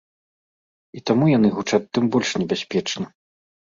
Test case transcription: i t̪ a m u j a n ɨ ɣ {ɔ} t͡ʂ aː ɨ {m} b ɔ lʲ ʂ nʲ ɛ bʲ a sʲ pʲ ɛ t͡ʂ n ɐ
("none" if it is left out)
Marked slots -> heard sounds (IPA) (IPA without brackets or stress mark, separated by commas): u, m